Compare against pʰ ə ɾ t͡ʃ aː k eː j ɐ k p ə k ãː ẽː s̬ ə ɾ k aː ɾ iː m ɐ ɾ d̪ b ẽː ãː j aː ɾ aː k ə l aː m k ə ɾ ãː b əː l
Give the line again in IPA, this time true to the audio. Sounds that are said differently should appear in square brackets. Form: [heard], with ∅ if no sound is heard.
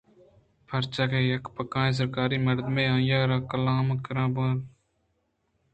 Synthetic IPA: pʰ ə ɾ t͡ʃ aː k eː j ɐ k p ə k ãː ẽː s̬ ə ɾ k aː ɾ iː m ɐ ɾ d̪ [m] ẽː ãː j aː ɾ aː k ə l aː m k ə ɾ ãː b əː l